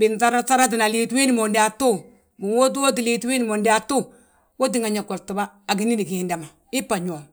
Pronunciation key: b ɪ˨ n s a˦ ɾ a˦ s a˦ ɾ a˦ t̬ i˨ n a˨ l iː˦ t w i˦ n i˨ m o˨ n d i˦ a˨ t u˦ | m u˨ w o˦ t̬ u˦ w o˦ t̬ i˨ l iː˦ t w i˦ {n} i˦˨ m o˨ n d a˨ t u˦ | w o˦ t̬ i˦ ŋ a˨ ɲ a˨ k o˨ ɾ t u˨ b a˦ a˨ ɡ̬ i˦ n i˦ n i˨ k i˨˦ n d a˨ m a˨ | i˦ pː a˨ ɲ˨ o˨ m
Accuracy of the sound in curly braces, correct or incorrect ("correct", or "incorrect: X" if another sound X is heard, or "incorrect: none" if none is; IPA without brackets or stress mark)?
correct